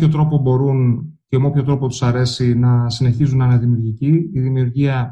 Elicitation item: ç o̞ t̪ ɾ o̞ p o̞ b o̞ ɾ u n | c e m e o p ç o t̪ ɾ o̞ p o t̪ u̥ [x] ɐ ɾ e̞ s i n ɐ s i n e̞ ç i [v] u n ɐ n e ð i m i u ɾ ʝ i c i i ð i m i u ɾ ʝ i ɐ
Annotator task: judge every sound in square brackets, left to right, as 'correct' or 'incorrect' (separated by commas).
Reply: incorrect, incorrect